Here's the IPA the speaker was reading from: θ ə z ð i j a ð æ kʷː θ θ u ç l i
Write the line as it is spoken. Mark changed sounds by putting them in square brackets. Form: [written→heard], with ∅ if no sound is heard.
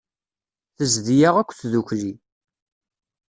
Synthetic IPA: θ ə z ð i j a [ð→ʁ] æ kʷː θ [θ→ð] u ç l i